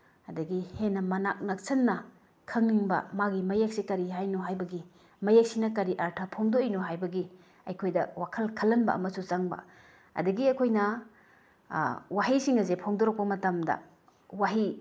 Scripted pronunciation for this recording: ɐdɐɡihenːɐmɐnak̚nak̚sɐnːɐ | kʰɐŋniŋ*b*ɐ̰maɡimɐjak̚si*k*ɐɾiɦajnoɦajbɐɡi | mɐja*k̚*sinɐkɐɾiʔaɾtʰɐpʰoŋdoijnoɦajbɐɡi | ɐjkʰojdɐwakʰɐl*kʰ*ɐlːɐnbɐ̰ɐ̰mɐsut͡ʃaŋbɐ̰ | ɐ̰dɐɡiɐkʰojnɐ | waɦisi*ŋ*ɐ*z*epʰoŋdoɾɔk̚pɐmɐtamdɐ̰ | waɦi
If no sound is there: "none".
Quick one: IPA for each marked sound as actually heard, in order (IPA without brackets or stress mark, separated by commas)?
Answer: b, k, k̚, kʰ, ŋ, z